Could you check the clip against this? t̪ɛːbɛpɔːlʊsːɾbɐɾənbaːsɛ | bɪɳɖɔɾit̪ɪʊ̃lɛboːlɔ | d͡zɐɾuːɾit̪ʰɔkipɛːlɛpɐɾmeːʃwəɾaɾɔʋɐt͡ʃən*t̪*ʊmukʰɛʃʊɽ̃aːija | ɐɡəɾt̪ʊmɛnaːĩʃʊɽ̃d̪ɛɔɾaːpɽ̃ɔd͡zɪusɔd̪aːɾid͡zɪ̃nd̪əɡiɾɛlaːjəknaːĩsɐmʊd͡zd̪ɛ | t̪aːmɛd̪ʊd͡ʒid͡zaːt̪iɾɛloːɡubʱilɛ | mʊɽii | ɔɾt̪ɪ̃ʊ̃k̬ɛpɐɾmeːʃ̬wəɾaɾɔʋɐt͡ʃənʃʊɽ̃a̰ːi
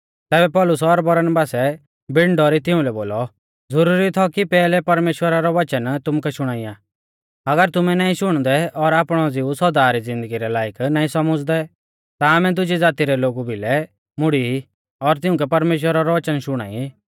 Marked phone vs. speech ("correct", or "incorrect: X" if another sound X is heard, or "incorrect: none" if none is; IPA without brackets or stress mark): correct